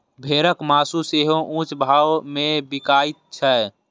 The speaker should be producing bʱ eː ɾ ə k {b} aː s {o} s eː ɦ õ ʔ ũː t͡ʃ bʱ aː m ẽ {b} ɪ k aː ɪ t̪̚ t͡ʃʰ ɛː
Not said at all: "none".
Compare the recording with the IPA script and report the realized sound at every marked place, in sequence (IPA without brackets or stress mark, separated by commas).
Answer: m, u, b